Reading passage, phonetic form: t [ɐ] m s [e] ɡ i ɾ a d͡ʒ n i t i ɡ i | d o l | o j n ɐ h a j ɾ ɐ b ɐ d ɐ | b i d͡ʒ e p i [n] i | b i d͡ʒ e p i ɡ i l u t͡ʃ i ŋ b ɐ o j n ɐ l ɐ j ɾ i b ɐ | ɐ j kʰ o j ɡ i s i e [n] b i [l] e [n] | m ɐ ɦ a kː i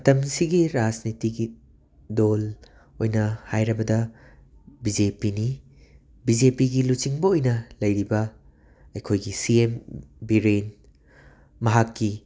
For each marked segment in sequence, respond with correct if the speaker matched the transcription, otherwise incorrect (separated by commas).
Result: correct, incorrect, correct, incorrect, incorrect, correct